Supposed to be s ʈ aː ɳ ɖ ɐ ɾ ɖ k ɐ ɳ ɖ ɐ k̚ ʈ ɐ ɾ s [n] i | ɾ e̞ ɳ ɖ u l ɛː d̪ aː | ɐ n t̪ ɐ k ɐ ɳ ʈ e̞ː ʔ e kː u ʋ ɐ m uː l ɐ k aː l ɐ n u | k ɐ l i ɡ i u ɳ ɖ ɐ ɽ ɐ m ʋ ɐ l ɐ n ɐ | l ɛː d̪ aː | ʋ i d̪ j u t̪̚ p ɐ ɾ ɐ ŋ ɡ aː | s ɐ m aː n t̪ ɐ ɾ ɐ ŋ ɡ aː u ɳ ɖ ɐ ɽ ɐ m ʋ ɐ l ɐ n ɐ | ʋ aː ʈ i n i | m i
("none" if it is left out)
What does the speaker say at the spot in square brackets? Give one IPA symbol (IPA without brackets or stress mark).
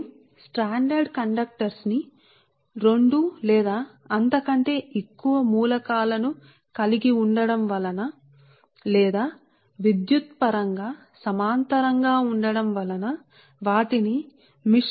n